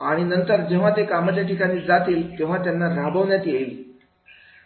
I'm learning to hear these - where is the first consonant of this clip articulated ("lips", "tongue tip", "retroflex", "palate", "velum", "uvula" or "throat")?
retroflex